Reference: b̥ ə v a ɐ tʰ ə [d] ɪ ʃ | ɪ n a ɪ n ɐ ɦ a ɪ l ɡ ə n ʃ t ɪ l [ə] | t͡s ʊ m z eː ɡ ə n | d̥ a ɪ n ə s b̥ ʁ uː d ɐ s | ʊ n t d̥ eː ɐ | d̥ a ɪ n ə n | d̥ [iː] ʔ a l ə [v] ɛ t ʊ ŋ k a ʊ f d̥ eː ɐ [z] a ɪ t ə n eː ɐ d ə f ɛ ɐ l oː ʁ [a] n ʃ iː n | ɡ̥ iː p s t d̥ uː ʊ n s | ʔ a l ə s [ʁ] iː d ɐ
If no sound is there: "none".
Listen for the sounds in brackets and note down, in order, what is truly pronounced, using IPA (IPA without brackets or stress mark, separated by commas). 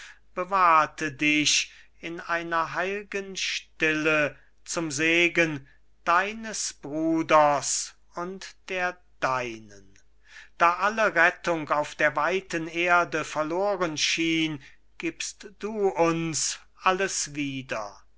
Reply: d, ə, aː, ʁ, v, ə, v